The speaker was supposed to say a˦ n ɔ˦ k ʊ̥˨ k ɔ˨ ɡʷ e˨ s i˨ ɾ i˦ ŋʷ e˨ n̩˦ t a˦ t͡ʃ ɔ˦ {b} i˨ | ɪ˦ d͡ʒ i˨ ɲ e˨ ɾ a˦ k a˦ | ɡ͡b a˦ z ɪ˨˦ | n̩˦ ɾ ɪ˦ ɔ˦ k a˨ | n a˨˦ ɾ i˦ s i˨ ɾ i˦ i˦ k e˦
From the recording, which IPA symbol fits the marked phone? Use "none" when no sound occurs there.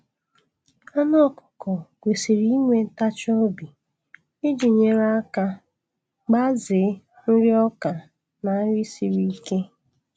b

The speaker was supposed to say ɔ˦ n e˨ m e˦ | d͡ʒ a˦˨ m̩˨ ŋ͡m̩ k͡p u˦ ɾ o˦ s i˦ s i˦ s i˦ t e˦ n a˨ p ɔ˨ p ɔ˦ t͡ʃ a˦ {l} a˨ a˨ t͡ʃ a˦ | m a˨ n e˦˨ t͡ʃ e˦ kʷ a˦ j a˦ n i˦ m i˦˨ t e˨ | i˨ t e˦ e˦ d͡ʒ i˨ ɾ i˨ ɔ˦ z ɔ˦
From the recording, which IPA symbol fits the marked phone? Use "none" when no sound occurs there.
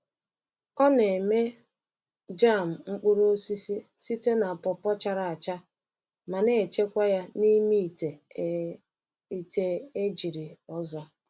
ɾ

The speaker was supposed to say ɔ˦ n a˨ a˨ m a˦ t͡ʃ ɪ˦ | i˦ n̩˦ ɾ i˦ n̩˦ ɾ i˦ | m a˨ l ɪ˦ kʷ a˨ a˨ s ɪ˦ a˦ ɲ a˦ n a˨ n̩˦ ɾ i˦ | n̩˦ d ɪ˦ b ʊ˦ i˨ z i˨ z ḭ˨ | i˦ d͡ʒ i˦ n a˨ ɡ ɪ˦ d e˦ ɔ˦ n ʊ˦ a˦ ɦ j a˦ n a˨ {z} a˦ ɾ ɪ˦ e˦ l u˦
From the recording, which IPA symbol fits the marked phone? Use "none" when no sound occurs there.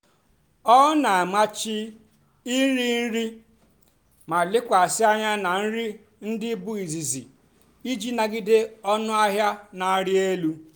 none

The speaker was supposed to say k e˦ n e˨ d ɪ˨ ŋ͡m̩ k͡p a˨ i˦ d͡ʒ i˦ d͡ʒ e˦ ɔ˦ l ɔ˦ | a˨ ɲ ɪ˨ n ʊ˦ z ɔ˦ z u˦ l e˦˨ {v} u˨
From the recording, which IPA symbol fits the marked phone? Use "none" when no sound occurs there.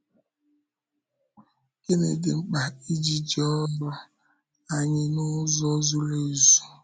z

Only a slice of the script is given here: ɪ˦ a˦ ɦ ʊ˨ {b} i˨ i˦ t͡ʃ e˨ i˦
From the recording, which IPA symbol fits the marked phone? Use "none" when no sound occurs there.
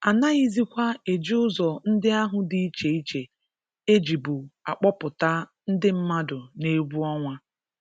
d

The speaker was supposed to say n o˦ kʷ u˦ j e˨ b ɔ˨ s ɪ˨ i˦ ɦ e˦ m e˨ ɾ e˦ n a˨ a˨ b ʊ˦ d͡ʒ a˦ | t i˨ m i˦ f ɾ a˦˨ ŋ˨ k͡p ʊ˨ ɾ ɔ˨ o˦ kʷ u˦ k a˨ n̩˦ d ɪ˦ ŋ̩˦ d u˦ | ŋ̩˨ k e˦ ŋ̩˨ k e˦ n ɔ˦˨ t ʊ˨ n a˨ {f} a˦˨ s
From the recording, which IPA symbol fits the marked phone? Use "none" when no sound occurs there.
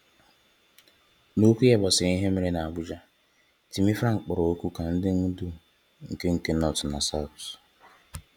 s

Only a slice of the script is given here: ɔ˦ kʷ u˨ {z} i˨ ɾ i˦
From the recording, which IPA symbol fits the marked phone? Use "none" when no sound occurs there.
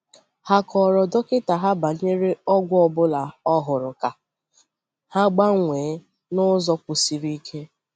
s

